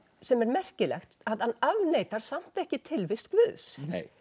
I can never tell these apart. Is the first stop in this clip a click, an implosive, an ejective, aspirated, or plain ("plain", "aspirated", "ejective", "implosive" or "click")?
plain